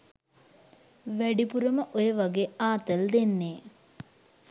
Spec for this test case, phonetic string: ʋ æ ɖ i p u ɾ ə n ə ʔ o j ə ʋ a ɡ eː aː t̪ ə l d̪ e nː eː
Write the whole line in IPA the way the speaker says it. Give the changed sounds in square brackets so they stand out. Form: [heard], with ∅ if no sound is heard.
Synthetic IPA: ʋ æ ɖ i p u ɾ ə [m] ə ʔ o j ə ʋ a ɡ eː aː t̪ ə l d̪ e nː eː

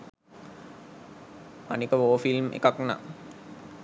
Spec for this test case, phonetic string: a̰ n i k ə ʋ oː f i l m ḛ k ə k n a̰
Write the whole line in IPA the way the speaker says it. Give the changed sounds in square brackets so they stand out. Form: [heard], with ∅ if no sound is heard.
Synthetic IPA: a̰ n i k ə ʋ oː f i l m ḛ k [a] k n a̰

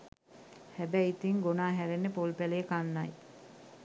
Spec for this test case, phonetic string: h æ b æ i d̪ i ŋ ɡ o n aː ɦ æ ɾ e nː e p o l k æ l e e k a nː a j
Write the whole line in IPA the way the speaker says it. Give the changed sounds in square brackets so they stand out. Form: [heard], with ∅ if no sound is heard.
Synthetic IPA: h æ b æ i [t̪] i ŋ ɡ o n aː ɦ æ ɾ e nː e p o l [p] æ l e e k a nː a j

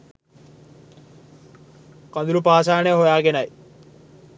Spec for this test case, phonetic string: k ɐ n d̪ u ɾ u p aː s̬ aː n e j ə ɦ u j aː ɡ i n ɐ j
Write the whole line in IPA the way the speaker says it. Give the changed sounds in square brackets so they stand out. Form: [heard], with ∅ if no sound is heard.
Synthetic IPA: k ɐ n d̪ u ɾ u p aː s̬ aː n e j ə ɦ [o] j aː ɡ [e] n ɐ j

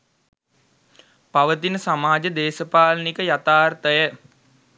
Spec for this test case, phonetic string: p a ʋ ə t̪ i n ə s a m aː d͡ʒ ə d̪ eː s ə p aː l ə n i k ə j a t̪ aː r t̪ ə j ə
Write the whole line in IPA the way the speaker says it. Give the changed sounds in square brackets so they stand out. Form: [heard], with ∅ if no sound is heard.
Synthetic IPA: p a ʋ ə t̪ i n ə s a m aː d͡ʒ ə d̪ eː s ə p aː l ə n i k ə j a t̪ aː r t̪ ə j ə

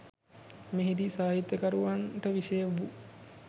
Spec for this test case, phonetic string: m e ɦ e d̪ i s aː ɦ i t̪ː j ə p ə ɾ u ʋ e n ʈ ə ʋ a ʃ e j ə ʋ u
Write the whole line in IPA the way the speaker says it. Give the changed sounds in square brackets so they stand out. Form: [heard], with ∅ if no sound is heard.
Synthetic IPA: m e ɦ [i] d̪ i s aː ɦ i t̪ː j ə [k] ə ɾ u ʋ [a] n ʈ ə ʋ [i] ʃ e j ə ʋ u

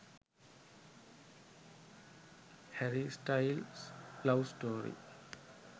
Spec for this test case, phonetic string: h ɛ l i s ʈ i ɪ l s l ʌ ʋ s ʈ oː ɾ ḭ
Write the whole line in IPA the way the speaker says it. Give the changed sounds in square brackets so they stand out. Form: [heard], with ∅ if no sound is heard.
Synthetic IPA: h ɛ [ɾ] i s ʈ [a] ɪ l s l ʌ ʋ s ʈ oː ɾ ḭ

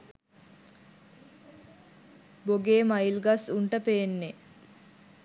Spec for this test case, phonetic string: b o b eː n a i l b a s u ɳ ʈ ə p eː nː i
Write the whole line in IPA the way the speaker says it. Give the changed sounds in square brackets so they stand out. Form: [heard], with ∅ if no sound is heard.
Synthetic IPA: b o [ɡ] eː [m] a i l [ɡ] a s u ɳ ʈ ə p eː nː [e]

